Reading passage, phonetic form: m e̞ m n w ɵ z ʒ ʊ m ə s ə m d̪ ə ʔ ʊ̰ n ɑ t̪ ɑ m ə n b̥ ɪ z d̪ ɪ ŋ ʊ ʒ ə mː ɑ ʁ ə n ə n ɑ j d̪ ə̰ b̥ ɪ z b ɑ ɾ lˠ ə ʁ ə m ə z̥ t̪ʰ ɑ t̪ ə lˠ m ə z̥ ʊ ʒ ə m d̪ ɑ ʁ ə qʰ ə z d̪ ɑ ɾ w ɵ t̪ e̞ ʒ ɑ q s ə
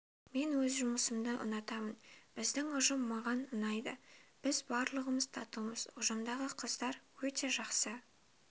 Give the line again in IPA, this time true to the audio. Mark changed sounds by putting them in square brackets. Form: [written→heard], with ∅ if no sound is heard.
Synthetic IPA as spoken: m e̞ [m→∅] n w ɵ z ʒ ʊ m ə s ə m d̪ ə ʔ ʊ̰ n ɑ t̪ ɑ m ə n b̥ ɪ z d̪ ɪ ŋ ʊ ʒ ə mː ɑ ʁ [ə→ɑ] n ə n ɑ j d̪ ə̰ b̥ ɪ z b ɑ ɾ lˠ ə ʁ ə m ə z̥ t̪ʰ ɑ t̪ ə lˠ m ə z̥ ʊ ʒ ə m d̪ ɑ ʁ ə qʰ ə z d̪ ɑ ɾ w ɵ t̪ e̞ ʒ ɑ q s ə